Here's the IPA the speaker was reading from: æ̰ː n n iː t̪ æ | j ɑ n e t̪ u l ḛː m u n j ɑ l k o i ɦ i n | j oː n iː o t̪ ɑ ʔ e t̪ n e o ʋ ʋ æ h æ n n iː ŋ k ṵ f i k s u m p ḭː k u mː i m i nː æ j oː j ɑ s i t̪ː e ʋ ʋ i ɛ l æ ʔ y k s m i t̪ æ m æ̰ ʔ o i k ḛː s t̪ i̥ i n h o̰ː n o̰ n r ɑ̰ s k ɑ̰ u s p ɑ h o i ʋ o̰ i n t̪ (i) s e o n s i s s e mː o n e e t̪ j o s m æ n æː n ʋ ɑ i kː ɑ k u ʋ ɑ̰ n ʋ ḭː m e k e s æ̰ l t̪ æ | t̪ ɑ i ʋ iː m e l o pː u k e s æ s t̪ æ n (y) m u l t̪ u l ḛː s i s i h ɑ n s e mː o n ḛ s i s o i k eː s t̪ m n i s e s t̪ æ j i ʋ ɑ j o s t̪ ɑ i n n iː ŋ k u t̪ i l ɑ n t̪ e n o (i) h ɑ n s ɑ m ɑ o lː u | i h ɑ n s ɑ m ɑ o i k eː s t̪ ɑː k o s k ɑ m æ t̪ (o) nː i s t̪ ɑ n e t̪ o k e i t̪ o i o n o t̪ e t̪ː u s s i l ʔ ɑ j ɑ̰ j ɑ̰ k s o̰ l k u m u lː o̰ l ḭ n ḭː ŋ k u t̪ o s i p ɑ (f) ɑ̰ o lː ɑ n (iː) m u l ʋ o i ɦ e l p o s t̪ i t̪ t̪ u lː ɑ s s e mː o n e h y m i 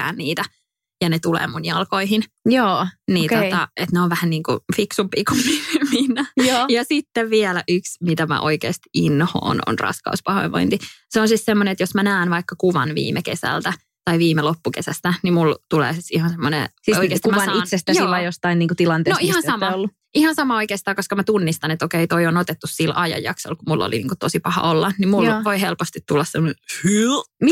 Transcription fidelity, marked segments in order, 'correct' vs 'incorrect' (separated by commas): correct, incorrect, correct, incorrect, incorrect, incorrect